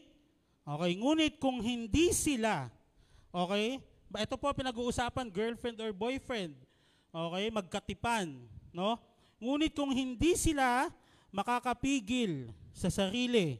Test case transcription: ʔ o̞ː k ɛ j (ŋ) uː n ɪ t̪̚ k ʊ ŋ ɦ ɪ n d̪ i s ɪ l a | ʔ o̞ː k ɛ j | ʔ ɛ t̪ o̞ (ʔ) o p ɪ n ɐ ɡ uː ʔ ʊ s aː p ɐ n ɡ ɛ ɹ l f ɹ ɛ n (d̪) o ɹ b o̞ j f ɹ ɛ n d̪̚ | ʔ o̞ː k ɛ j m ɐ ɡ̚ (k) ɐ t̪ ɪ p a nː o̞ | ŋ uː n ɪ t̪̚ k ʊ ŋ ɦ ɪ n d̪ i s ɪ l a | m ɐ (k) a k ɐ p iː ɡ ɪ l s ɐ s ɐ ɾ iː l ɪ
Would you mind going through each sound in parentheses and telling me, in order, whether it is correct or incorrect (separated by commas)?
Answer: correct, incorrect, correct, correct, correct